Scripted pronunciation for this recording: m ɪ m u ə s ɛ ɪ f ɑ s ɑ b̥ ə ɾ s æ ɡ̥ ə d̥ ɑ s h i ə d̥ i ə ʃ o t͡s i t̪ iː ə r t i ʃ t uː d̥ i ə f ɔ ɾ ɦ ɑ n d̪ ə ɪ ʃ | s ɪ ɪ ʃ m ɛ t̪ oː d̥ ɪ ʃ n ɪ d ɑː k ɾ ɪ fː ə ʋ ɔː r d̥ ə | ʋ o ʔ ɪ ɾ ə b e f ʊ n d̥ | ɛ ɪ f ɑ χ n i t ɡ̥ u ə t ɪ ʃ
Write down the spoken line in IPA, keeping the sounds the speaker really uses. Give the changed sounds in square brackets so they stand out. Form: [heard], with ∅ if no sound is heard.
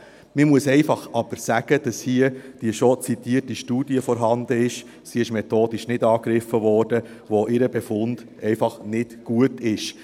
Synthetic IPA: m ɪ m u ə s ɛ ɪ f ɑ [χ] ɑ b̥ ə ɾ s æ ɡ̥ ə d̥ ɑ s h i ə d̥ i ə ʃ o t͡s i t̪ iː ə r t i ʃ t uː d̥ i ə f ɔ ɾ ɦ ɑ n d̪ ə ɪ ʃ | s [i] ɪ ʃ m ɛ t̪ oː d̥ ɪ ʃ n ɪ d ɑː k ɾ ɪ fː ə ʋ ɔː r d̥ ə | ʋ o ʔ ɪ ɾ ə b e f ʊ n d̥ | ɛ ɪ f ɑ χ n [ɪ] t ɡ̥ u ə t ɪ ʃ